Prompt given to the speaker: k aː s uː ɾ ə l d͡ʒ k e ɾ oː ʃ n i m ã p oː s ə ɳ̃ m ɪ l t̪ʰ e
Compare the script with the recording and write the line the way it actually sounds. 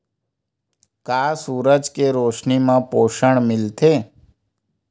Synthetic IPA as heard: k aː s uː ɾ ə d͡ʒ k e ɾ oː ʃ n i m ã p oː ʃ ə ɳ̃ m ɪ l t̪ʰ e